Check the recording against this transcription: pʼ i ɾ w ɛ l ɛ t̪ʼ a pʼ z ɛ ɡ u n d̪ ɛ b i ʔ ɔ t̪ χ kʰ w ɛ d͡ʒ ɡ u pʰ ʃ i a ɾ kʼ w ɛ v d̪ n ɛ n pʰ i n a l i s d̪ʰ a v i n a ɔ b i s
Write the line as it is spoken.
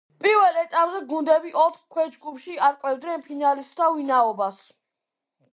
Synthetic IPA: pʼ i ɾ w ɛ l ɛ t̪ʼ a pʼ z ɛ ɡ u n d̪ ɛ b i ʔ ɔ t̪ χ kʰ w ɛ d͡ʒ ɡ u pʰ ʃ i a ɾ kʼ w ɛ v d̪ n ɛ n pʰ i n a l i s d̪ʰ a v i n a ɔ b a s